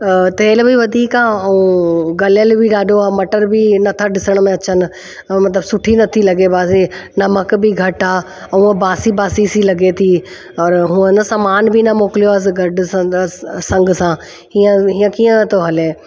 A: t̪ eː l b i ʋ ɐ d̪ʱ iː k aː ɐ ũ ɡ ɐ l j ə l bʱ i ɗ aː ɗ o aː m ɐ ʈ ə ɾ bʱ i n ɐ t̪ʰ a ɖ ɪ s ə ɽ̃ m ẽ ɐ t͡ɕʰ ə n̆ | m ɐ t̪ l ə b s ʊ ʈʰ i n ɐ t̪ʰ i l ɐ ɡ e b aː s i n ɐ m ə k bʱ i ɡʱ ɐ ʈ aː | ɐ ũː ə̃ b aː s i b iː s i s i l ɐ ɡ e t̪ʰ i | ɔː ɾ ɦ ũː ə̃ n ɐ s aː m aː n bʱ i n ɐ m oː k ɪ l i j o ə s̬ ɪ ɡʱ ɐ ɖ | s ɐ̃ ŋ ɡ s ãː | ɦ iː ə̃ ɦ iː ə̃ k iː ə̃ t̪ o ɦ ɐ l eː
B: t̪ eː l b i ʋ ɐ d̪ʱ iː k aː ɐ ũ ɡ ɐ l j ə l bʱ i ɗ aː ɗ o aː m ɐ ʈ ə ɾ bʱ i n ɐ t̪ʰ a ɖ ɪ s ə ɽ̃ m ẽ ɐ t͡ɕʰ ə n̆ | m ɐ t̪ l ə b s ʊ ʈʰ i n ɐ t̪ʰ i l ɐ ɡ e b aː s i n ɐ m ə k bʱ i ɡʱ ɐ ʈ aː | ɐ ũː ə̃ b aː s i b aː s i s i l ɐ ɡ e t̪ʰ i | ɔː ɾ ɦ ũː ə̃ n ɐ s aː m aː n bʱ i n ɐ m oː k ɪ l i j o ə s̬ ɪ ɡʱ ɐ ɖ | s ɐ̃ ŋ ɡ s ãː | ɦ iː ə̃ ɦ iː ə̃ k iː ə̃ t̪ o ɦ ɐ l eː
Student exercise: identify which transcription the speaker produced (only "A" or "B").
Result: B